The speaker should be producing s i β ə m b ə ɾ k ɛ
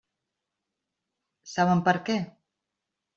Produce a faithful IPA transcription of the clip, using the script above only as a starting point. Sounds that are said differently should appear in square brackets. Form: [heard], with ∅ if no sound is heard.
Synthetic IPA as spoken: s [a] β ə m [p] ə ɾ k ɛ